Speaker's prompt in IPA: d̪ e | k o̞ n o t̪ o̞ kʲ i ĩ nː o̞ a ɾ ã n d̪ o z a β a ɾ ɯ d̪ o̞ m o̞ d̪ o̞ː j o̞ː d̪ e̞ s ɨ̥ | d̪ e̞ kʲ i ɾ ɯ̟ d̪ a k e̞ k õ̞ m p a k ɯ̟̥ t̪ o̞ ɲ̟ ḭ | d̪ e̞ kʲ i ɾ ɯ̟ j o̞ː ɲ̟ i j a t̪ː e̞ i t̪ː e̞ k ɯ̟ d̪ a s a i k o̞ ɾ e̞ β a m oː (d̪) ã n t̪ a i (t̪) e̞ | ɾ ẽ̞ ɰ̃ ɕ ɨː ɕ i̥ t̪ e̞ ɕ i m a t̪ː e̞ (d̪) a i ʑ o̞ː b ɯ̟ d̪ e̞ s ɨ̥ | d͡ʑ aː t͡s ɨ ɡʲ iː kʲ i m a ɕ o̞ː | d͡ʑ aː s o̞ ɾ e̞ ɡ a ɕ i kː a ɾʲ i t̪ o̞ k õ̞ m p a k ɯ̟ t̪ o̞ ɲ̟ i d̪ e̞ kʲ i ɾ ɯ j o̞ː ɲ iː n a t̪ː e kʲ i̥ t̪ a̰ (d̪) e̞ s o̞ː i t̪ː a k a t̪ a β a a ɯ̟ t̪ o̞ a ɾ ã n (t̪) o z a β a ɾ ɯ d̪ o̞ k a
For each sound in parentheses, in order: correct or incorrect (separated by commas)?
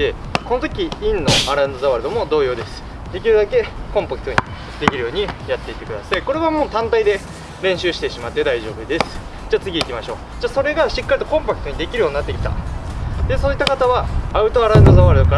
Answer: incorrect, incorrect, correct, correct, incorrect